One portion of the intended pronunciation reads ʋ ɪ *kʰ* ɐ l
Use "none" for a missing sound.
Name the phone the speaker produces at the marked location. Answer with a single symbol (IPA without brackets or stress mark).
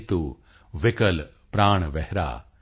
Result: k